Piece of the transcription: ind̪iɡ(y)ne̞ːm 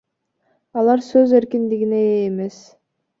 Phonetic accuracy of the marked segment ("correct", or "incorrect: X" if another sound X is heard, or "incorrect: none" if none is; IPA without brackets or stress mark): incorrect: i